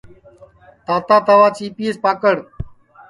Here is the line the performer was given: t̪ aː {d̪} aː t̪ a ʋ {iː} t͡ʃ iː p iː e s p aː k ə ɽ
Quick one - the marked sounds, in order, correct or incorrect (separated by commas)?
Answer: incorrect, incorrect